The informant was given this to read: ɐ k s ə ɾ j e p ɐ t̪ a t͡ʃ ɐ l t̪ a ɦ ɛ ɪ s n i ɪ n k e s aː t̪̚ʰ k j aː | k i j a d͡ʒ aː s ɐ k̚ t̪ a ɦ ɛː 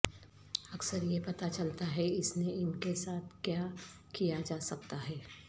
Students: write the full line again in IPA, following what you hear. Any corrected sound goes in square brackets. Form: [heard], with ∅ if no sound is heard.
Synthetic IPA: ɐ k s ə ɾ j e p ɐ t̪ a t͡ʃ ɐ l t̪ a ɦ ɛ ɪ s n [e] ɪ n k e s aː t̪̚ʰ k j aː | k i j a d͡ʒ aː s ɐ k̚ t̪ a ɦ ɛː